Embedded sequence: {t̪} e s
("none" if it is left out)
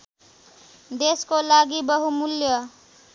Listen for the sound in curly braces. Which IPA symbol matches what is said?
d̪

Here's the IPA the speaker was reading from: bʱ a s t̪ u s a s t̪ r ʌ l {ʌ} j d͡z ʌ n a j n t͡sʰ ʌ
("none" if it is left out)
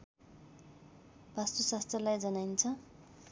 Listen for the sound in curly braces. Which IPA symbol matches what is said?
a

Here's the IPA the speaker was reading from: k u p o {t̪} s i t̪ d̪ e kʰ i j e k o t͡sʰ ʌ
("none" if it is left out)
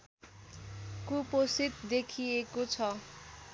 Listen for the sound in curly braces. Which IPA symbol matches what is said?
none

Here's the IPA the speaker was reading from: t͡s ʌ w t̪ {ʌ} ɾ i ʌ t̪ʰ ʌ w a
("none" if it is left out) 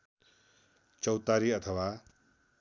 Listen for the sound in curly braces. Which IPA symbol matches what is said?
a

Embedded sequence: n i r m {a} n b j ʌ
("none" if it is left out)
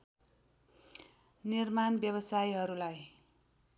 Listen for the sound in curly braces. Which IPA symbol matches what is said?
a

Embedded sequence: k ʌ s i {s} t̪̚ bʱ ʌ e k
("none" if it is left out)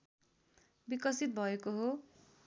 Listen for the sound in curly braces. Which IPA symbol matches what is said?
none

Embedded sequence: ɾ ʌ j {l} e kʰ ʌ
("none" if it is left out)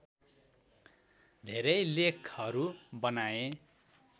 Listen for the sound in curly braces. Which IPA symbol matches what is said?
l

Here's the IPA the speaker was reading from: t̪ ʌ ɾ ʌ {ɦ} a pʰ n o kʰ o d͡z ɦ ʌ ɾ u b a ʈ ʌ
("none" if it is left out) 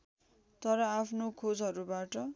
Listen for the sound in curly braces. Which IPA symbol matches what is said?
none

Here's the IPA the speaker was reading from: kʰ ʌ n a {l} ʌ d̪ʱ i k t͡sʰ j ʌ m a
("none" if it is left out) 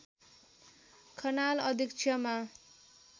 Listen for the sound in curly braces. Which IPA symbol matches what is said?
l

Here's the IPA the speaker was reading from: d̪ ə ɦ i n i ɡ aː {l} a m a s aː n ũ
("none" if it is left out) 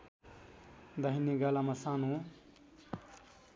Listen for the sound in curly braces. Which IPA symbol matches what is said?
l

